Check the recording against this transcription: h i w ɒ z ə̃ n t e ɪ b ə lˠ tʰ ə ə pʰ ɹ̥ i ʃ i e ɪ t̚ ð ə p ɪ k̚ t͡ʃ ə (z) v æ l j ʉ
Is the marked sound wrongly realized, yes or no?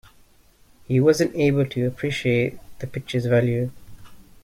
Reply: no